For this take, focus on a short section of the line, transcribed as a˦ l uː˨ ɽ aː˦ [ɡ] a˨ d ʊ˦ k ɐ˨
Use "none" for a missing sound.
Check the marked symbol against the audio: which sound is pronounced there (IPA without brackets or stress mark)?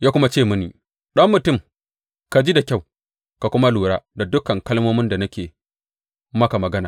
d